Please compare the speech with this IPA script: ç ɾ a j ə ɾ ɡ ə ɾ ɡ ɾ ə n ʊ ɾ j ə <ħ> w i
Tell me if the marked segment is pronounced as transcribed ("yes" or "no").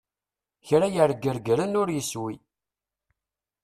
no